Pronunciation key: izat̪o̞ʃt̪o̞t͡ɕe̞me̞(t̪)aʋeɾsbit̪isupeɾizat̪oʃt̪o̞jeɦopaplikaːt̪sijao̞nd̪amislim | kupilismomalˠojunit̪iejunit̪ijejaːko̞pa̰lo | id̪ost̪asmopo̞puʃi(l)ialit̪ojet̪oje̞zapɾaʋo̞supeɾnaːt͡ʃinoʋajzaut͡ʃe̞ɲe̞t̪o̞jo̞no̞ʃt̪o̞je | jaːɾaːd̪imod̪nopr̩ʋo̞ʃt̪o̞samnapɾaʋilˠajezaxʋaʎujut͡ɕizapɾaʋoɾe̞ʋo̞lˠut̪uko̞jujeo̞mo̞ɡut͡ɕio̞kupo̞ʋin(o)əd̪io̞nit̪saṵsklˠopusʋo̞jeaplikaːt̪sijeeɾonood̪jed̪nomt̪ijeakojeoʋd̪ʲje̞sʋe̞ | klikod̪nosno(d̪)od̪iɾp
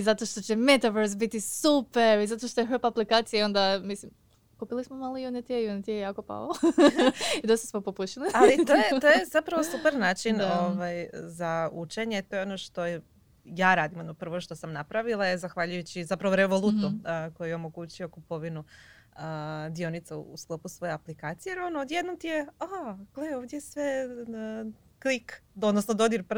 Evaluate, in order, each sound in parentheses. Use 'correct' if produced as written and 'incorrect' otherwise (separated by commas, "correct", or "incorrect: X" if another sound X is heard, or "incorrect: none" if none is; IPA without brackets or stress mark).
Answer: correct, correct, incorrect: u, correct